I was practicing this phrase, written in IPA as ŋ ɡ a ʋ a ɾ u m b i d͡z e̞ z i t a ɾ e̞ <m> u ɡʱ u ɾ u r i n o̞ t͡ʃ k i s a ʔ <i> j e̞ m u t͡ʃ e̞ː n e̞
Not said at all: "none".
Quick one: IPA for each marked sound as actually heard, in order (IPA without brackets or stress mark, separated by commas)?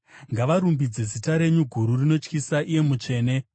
ɲ, i